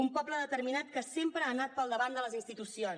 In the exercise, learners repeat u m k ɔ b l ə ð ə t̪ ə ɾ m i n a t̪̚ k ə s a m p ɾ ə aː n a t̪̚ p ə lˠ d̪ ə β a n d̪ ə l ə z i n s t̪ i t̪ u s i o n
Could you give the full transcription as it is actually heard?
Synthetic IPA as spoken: u m p ɔ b l ə ð ə t̪ ə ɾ m i n a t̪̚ k ə s e m p ɾ ə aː n a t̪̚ p ə lˠ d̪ ə β a n d̪ ə l ə z i n s t̪ i t̪ u s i o n

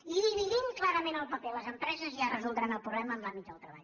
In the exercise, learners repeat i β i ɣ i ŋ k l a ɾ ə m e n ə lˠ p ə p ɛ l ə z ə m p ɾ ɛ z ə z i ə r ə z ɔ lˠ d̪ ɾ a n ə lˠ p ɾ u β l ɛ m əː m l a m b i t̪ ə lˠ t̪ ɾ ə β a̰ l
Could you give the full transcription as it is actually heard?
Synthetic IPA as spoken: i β i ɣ i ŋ k l a ɾ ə m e n ə lˠ p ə p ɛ l ə z ə m p ɾ ɛ z ə z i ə r ə z u lˠ d̪ ɾ a n ə lˠ p ɾ u β l ɛ m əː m l a m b i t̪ ə lˠ t̪ ɾ ə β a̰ ʎ

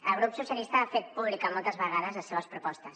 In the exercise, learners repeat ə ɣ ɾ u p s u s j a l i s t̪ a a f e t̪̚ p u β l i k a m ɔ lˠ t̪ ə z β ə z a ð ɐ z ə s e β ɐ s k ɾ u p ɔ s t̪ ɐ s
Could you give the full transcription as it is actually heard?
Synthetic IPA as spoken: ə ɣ ɾ u p s u s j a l i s t̪ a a f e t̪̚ p u β l i k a m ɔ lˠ t̪ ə z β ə ɣ a ð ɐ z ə s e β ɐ s p ɾ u p ɔ s t̪ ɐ s

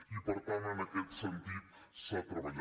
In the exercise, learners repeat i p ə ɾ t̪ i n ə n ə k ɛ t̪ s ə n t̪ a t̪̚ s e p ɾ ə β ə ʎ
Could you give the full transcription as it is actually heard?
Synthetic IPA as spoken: i p ə ɾ t̪ a n ə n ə k ɛ t̪ s ə n t̪ i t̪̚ s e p ɾ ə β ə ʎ

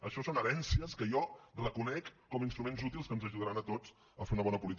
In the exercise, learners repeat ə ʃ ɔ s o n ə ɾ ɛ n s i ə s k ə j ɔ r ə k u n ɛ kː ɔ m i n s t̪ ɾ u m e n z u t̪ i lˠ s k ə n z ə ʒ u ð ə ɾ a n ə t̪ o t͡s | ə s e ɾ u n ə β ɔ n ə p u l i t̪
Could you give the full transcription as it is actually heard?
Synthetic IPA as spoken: ə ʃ ɔ s o n ə ɾ ɛ n s i ə s k ə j ɔ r ə k u n ɛ kː ɔ m i n s t̪ ɾ u m e n z u t̪ i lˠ s k ə n z ə ʒ u ð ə ɾ a n ə t̪ o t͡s | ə f e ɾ u n ə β ɔ n ə p u l i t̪

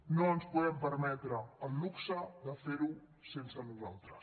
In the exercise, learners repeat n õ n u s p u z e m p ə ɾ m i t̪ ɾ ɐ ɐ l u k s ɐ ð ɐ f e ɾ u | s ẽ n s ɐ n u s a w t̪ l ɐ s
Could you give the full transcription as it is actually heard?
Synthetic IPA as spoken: n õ n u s p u ð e m p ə ɾ m ɛ t̪ ɾ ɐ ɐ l u k s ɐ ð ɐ f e ɾ u | s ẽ n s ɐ n u z a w t̪ ɾ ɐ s

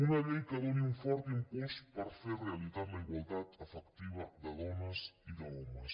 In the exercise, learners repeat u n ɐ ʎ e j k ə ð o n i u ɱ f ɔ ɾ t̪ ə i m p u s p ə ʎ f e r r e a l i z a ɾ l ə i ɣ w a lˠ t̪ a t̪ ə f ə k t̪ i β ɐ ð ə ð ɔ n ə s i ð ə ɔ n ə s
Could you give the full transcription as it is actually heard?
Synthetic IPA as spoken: u n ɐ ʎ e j k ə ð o n i u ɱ f ɔ ɾ t̪ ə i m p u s p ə ɾ f e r r e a l i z a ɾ l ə i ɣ w a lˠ t̪ a t̪ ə f ə k t̪ i β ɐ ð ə ð ɔ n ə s i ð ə ɔ m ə s

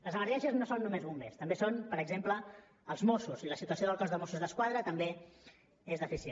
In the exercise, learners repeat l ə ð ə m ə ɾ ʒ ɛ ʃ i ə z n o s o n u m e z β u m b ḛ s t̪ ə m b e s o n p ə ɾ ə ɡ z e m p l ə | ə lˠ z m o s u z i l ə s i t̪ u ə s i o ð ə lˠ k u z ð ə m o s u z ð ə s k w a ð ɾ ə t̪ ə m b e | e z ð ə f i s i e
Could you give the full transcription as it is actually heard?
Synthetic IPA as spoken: l ə z ə m ə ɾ ʒ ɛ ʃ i ə z n o s o nː u m e z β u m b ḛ s t̪ ə m b e s o n p ə ɾ ə ɡ z e m p l ə | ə lˠ z m o s u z i l ə s i t̪ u ə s i o ð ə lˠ k ɔ z ð ə m o s u z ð ə s k w a ð ɾ ə t̪ ə m b e | e z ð ə f i s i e

